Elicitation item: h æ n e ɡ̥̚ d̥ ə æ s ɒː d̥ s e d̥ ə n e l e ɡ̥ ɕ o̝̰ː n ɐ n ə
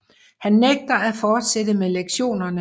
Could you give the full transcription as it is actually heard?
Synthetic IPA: h æ nː e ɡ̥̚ d̥ ɐ æ f ɒː d̥ s e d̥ ə m e l e ɡ̥ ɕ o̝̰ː n ɐ n ə